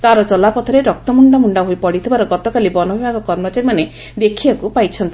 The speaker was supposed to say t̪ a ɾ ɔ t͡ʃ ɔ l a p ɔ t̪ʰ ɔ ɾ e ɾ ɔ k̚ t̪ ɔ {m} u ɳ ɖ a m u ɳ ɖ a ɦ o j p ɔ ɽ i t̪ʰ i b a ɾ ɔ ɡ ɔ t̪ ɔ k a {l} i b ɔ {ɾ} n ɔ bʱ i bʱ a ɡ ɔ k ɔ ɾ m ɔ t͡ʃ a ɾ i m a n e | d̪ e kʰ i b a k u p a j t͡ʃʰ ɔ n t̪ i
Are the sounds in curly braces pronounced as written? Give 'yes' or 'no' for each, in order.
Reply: yes, yes, no

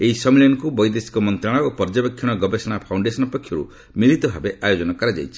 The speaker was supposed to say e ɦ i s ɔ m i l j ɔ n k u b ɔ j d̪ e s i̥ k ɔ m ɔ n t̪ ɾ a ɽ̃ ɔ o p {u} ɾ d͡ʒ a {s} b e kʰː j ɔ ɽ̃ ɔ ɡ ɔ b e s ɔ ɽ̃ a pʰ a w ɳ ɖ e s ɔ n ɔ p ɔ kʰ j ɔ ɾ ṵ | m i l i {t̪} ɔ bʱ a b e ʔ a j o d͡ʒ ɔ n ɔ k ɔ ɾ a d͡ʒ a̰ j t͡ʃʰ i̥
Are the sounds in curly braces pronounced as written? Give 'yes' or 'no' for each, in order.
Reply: no, no, yes

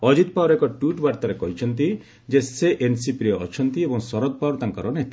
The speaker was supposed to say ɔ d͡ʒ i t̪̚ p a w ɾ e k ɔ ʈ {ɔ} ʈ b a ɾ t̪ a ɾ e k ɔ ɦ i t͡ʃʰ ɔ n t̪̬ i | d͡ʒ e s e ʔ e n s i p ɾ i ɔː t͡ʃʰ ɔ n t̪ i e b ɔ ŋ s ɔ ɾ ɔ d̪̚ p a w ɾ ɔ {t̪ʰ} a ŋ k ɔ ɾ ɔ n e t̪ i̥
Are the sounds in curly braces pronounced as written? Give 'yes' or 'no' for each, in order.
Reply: no, no

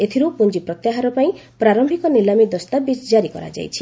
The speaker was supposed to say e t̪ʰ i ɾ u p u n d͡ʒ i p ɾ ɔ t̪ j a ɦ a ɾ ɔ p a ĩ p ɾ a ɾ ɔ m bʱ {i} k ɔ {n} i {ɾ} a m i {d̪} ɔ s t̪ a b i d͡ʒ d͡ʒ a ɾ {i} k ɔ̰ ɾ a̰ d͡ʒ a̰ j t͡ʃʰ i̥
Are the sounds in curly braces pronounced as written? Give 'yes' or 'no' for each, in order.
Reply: yes, yes, no, yes, yes

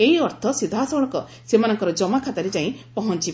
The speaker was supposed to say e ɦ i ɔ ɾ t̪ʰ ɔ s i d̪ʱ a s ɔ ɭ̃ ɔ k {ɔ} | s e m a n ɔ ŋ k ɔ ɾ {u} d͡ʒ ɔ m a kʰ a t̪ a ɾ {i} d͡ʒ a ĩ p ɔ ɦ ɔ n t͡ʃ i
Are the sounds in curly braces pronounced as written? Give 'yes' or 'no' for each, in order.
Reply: yes, no, no

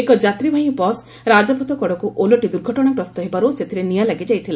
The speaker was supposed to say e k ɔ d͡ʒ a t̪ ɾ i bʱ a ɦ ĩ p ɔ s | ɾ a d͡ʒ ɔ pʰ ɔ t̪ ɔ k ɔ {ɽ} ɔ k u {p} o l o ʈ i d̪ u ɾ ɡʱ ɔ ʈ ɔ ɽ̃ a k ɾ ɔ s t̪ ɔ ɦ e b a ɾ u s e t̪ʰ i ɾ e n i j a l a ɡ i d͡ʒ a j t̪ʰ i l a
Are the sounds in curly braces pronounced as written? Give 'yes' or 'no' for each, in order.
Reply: yes, no

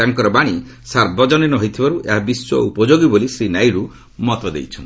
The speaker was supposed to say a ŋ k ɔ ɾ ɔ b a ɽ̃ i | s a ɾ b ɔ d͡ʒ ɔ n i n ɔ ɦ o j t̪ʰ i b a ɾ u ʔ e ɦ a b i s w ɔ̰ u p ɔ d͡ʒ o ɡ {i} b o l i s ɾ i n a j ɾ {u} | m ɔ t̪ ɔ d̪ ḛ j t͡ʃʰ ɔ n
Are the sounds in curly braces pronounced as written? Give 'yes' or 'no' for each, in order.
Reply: yes, yes

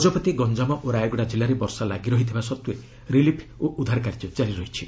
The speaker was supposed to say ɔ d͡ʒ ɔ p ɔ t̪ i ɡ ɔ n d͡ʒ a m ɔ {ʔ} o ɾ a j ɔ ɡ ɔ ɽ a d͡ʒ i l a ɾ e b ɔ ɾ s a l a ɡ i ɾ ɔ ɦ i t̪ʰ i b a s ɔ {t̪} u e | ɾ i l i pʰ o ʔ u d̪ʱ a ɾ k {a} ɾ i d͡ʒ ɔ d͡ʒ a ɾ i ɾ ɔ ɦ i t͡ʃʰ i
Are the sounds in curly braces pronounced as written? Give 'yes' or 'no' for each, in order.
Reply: yes, yes, yes

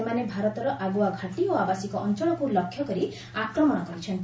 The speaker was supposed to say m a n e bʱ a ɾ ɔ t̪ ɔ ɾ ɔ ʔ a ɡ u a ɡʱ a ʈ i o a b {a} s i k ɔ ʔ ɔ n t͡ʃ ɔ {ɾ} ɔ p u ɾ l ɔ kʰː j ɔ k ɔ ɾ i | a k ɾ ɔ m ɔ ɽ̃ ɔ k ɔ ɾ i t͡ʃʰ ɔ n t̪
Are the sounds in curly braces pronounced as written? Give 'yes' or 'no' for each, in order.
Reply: yes, no

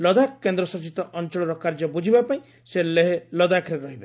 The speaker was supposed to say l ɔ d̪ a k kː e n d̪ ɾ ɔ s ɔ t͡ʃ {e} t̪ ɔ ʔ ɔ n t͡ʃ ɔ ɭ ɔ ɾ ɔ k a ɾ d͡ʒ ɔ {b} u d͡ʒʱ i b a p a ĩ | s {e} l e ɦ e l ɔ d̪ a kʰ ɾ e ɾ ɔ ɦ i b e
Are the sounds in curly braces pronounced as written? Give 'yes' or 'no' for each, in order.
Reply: no, yes, yes

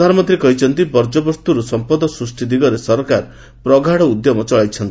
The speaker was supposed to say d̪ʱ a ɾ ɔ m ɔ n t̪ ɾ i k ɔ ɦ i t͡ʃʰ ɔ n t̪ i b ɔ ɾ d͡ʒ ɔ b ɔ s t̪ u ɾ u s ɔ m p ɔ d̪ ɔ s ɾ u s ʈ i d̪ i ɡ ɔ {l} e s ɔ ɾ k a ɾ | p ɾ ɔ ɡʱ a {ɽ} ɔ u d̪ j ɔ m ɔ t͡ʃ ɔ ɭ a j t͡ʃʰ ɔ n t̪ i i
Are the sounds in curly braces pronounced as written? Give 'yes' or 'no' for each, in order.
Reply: no, yes

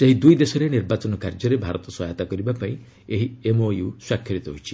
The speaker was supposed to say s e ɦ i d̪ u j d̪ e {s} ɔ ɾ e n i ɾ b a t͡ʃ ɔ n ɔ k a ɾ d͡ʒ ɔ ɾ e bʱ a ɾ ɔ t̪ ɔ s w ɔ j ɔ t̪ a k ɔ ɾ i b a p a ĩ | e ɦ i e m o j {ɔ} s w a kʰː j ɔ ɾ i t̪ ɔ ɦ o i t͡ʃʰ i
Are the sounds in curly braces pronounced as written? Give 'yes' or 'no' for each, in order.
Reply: yes, no

